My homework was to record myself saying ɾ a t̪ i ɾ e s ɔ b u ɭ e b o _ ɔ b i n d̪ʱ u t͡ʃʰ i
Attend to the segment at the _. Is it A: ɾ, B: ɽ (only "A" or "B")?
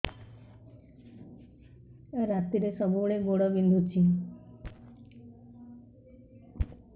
B